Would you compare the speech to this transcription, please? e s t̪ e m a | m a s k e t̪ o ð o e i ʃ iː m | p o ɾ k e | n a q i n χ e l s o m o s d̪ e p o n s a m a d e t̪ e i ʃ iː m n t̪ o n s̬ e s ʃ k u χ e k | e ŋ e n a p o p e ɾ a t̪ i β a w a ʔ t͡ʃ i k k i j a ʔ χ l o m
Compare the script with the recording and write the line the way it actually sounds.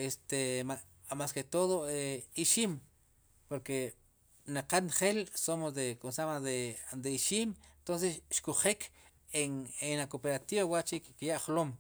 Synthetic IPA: e s t̪ e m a | m a s k e t̪ o ð o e i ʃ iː m | p o ɾ k e | n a q a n χ e l s o m o s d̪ e k o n s a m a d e d̪ e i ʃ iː m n t̪ o n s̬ e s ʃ k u χ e k | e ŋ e n a k o p e ɾ a t̪ i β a w a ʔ t͡ʃ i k k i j a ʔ χ l o m